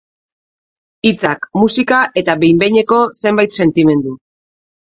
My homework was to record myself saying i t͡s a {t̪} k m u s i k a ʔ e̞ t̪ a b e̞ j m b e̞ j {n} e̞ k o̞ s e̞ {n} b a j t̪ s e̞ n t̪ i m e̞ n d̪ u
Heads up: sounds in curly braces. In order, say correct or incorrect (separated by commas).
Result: incorrect, incorrect, incorrect